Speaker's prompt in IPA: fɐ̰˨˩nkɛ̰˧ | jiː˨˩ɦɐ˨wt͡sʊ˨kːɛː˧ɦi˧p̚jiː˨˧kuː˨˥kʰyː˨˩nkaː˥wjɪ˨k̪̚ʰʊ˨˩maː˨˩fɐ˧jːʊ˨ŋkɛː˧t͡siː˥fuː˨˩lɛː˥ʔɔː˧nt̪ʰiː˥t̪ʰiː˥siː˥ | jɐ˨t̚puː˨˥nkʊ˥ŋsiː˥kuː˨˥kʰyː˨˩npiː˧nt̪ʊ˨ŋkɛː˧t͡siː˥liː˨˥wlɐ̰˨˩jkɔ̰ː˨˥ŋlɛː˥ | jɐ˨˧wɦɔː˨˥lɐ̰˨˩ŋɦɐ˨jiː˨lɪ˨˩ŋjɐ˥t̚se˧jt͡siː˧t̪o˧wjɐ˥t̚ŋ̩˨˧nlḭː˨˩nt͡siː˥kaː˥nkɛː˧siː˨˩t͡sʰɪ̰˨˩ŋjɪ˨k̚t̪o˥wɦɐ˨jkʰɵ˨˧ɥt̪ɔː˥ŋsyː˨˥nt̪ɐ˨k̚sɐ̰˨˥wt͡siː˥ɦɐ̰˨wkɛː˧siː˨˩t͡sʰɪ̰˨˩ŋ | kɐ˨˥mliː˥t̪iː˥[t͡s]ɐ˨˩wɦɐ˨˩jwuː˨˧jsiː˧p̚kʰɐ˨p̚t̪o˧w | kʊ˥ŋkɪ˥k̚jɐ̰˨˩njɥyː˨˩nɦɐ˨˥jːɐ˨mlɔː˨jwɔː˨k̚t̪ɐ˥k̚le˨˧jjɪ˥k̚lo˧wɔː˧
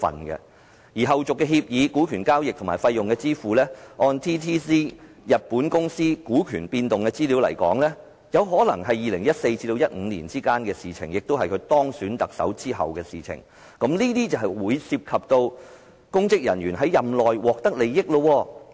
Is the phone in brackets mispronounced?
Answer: no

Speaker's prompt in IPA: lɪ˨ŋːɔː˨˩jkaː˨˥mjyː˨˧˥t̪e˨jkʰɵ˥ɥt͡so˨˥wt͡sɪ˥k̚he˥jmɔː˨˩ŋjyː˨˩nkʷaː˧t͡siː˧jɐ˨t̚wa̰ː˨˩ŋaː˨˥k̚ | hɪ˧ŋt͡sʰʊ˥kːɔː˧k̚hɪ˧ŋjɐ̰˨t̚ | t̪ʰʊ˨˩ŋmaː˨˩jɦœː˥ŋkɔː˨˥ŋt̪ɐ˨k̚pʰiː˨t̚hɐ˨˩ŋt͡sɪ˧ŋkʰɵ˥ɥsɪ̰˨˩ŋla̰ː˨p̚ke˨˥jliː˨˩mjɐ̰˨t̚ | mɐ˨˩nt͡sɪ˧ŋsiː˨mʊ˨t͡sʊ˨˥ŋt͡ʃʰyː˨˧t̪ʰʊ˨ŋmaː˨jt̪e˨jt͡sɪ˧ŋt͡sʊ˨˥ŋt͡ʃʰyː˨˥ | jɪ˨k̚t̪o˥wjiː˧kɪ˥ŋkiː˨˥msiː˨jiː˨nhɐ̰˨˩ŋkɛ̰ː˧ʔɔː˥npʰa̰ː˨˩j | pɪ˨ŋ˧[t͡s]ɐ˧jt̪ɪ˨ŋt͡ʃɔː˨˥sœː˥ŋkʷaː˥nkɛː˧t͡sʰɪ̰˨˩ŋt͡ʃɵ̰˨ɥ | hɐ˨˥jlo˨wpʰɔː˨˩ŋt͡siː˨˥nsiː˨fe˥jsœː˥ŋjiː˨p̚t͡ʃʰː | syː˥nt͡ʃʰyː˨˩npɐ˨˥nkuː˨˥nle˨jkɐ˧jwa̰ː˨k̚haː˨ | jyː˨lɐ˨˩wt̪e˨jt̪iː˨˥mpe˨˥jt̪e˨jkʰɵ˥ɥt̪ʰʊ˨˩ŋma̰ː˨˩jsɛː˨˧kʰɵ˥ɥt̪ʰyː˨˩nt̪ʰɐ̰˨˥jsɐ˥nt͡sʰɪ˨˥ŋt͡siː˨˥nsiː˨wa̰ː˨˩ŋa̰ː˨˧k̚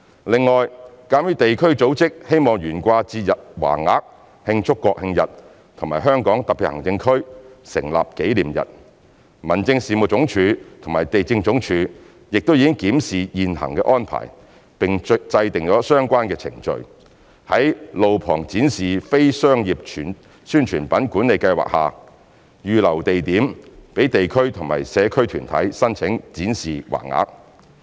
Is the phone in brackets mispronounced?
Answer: no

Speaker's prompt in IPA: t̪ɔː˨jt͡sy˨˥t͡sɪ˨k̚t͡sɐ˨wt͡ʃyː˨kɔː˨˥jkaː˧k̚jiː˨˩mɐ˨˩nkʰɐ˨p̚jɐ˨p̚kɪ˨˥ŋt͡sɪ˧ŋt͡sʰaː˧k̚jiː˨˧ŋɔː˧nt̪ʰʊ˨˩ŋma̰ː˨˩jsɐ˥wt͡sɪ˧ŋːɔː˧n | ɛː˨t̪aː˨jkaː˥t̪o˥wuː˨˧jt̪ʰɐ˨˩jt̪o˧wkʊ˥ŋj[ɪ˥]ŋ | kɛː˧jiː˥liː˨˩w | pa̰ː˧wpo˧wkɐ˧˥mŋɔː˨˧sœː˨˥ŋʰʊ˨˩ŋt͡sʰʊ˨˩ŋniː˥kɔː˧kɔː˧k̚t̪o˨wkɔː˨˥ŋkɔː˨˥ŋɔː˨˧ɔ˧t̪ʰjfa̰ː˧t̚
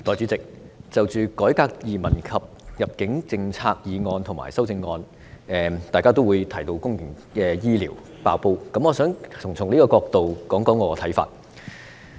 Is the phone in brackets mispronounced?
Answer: yes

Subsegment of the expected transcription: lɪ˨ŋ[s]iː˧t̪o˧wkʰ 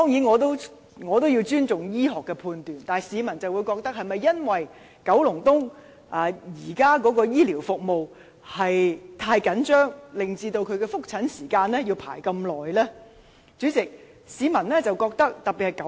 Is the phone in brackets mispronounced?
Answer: yes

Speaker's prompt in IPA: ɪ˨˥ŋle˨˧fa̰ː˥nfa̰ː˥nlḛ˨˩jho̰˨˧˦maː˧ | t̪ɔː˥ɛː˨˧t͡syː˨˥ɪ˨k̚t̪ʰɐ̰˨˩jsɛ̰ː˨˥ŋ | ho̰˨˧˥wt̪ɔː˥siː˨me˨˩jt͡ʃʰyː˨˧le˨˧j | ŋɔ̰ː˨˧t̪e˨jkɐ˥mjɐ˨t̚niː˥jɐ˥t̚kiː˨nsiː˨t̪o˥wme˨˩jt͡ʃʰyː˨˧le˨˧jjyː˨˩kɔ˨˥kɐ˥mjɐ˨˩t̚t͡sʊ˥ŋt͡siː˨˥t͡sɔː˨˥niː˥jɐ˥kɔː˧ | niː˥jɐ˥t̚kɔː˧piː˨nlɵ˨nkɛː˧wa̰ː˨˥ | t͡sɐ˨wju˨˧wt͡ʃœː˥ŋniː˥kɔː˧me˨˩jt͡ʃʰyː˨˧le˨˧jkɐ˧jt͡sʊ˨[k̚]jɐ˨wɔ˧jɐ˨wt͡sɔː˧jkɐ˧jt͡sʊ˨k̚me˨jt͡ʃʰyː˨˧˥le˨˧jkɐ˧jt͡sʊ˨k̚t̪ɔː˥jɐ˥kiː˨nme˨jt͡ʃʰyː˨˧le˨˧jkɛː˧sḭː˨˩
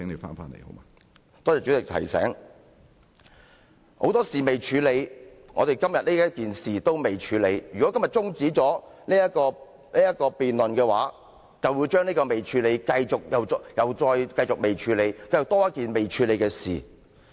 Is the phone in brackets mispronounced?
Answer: no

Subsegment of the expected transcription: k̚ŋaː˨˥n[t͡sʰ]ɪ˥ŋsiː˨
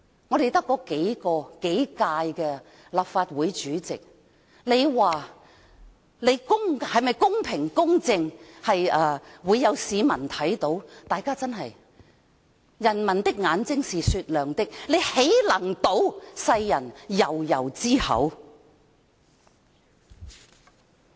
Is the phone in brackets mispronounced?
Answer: yes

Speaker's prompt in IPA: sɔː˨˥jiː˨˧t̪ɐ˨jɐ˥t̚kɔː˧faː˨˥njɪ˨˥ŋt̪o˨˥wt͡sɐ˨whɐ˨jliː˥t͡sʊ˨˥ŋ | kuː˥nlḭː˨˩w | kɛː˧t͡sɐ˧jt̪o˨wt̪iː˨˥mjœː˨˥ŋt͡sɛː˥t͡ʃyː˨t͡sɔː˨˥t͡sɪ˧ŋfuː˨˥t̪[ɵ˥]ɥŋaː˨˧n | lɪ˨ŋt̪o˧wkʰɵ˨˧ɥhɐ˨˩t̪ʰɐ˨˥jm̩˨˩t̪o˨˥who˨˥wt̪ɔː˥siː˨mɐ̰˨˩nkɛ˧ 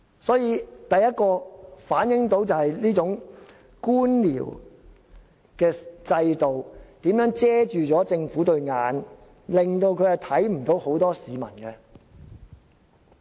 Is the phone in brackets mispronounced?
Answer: yes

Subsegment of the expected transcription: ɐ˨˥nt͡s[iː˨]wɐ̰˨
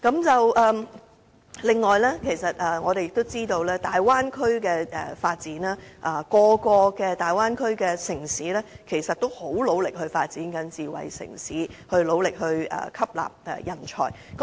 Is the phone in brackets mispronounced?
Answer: no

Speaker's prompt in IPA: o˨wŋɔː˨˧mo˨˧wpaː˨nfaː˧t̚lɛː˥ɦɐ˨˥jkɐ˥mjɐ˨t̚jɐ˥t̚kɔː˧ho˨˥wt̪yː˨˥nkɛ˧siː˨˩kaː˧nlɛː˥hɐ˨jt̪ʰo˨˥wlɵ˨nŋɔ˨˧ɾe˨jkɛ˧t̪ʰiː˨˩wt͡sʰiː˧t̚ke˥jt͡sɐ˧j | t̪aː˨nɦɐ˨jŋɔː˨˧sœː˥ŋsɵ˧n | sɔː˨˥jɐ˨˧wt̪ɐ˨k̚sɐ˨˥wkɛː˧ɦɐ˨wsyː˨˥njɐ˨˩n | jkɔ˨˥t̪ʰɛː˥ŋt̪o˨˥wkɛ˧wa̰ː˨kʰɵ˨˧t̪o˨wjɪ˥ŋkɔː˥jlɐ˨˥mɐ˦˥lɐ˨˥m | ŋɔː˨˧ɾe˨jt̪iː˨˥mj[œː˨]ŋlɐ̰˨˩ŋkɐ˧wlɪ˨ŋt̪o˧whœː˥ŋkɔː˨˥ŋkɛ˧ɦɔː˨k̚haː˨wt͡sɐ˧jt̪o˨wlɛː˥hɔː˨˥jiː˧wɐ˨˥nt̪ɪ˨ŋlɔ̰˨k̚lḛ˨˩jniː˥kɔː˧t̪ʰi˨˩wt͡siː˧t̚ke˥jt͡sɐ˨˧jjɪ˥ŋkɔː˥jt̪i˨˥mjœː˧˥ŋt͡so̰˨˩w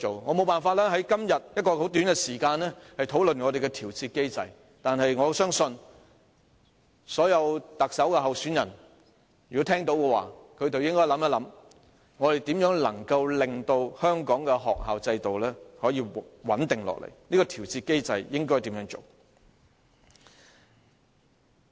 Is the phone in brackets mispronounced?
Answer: yes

